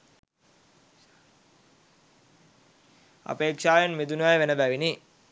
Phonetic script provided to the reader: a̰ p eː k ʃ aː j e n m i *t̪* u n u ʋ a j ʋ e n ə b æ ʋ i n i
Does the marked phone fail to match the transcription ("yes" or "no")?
yes